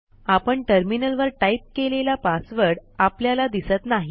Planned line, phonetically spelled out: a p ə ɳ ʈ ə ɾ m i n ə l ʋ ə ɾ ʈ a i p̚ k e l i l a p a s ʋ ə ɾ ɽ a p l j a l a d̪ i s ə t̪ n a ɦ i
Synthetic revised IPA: a p ə ɳ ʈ ə ɾ m i n ə l ʋ ə ɾ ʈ a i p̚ k e l e l a p a s ʋ ə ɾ ɽ a p l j a l a d̪ i s ə t̪ n a ɦ i